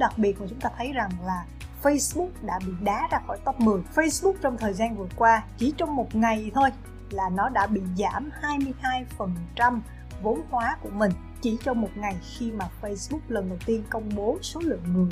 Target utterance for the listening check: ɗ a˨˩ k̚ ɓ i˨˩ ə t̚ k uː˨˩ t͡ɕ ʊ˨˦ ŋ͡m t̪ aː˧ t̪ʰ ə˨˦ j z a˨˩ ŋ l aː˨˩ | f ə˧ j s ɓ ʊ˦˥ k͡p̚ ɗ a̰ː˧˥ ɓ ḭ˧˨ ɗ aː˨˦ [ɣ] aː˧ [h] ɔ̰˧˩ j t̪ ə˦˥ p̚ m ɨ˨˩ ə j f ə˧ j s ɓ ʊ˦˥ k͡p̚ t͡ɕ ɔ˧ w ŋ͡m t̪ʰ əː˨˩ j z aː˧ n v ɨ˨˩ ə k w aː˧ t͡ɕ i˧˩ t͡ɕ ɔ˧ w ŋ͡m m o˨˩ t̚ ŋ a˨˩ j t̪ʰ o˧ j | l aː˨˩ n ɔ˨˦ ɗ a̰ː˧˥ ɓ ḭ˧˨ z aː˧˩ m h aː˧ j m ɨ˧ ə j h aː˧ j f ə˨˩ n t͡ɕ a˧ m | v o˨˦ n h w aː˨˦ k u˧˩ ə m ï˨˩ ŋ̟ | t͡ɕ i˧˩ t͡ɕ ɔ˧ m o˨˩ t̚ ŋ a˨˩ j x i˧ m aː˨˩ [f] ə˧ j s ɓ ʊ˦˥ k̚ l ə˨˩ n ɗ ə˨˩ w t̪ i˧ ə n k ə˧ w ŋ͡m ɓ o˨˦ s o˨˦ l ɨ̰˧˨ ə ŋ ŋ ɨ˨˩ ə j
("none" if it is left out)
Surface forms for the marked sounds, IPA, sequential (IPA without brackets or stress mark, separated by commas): z, x, f